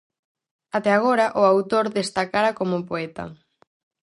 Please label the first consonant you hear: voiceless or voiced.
voiceless